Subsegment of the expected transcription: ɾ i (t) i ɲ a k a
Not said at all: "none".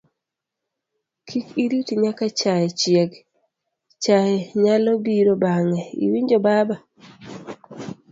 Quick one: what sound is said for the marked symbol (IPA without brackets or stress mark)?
t